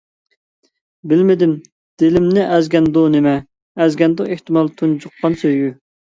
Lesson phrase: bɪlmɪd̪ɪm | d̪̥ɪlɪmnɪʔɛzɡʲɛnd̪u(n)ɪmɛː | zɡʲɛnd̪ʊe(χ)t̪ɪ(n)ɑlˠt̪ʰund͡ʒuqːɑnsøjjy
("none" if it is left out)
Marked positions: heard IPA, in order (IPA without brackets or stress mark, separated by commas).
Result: n, h, m